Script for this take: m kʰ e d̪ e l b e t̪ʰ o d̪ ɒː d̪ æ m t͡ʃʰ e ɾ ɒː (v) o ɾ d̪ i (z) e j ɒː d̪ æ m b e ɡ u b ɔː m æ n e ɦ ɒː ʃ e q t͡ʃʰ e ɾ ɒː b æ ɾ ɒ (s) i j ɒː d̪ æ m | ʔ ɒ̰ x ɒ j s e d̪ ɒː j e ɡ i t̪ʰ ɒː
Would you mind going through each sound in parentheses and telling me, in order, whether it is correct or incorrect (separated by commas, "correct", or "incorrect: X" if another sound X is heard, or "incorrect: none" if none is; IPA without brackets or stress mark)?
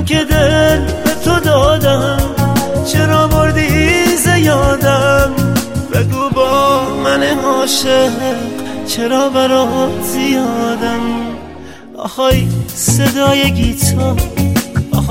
incorrect: b, correct, incorrect: z